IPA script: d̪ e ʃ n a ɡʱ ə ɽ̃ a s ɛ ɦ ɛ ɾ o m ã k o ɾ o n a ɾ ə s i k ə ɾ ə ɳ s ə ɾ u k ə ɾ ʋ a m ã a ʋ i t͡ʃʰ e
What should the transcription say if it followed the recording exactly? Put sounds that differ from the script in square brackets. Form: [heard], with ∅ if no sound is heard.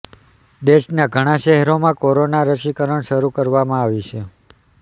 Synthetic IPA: d̪ e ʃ n a ɡʱ ə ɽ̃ a [ʃ] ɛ ɦ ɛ ɾ o m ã k o ɾ o n a ɾ ə [ʃ] i k ə ɾ ə ɳ [ʃ] ə ɾ u k ə ɾ ʋ a m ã a ʋ i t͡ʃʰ e